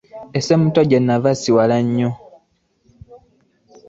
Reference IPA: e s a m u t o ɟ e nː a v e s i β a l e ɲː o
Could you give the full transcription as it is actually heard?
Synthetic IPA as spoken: e s e m u t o ɟ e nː a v a s i w a l a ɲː o

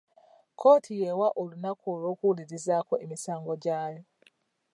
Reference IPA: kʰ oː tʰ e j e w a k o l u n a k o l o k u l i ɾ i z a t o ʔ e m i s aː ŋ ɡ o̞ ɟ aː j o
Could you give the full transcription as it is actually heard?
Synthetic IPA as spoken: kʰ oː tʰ i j e w a ʔ o l u n a k o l o k u l i ɾ i z a k o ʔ e m i s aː ŋ ɡ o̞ ɟ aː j o

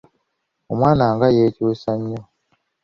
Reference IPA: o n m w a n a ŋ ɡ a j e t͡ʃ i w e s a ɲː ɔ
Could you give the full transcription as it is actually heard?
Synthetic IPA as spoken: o m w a n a ŋ ɡ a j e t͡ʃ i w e s a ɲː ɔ

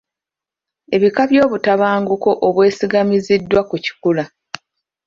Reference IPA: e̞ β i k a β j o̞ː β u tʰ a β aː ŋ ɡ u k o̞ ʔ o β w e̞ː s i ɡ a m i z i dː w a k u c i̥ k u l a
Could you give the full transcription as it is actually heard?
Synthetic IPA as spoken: e̞ β i k a β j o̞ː β u t a β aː ŋ ɡ u k o̞ ʔ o β w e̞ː s i ɡ a m i z i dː w a k u c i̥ k u l a

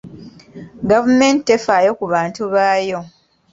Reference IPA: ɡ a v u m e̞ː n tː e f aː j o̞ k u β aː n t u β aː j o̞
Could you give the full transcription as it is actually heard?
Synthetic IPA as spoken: ɡ a v u m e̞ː n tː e f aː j o̞ k u β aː n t u β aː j o̞

